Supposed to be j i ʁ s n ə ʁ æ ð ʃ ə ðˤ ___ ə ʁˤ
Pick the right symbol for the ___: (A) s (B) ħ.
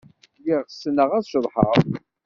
B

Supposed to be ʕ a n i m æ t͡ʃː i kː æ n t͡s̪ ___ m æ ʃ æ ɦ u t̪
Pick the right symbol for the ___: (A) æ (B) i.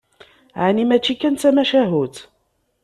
A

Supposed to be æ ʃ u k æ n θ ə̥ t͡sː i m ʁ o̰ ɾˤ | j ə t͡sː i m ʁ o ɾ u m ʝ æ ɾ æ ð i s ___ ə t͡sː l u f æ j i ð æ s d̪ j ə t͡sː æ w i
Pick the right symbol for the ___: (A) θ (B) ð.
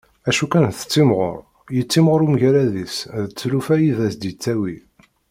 B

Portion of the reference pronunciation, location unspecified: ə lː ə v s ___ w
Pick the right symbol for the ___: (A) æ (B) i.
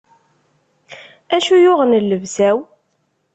A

